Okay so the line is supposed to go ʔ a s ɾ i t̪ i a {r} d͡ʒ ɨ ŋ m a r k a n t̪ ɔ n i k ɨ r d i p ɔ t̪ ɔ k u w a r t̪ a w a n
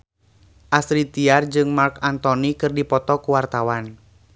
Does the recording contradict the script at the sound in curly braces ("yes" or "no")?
no